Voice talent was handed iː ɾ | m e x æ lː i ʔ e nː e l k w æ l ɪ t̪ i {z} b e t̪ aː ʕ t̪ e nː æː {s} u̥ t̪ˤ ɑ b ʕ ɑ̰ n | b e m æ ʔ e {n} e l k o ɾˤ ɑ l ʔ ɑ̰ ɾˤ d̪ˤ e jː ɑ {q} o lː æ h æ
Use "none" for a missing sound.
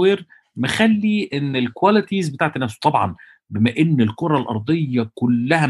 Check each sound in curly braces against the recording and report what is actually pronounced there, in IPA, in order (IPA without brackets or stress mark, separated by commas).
z, s, nː, k